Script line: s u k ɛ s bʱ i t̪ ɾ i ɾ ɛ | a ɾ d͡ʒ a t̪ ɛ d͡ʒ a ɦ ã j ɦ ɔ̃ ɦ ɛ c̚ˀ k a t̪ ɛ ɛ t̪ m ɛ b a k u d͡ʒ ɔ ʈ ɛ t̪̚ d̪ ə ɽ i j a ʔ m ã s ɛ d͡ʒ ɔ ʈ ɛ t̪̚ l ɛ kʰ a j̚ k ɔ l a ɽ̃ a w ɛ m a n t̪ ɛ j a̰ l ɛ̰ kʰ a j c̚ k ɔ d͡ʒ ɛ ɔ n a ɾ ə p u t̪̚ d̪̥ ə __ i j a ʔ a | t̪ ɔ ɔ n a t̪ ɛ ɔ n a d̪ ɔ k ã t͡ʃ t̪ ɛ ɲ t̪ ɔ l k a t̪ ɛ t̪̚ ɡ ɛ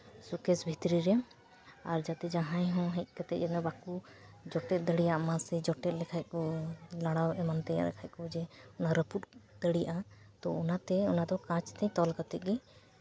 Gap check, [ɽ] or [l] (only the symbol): ɽ